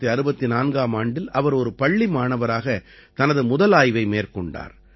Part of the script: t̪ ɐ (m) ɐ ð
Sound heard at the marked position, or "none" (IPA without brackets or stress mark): n